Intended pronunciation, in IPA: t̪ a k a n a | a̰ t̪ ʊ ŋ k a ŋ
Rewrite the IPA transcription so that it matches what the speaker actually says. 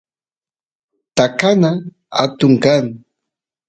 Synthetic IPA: t̪ a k a n a | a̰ t̪ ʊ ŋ k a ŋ